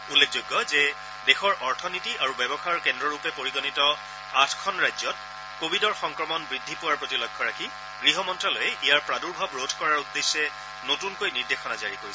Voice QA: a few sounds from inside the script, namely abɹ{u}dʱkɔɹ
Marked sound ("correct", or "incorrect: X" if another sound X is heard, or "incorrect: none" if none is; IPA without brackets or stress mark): incorrect: o